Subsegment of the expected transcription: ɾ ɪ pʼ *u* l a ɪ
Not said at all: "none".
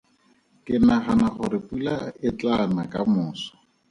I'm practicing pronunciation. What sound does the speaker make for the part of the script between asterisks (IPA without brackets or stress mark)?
u